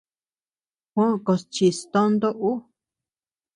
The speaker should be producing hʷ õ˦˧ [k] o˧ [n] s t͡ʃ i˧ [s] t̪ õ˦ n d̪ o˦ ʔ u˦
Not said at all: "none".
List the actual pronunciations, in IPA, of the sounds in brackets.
k, none, s

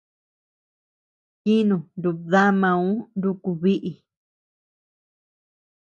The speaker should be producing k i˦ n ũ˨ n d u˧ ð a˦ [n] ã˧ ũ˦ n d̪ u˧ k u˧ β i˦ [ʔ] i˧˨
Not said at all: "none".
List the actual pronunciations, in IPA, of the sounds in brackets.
m, ʔ

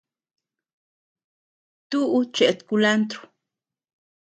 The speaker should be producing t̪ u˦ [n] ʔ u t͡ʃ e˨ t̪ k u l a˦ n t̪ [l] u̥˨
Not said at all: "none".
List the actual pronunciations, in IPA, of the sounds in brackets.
none, ɾ

